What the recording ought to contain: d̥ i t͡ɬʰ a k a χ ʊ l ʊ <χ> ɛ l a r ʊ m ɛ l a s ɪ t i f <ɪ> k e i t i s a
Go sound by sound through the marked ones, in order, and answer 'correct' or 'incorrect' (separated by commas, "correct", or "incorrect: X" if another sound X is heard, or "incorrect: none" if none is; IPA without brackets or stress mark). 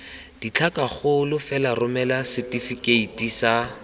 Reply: incorrect: f, incorrect: i